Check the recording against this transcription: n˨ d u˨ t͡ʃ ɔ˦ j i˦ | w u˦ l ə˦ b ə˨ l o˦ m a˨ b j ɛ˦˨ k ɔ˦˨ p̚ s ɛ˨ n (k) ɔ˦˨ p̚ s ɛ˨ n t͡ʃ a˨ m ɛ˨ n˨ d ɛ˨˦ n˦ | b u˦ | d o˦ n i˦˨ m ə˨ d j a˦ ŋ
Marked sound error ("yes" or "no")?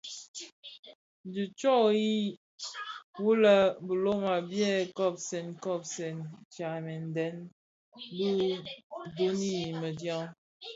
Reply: no